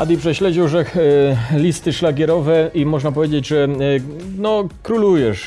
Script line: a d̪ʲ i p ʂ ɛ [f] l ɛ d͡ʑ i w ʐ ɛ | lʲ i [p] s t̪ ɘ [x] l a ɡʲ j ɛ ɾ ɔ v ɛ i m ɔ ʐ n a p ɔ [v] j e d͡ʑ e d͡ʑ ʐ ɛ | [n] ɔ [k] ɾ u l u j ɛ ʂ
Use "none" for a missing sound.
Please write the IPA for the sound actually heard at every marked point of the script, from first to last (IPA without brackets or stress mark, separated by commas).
ɕ, none, ʂ, v, n, k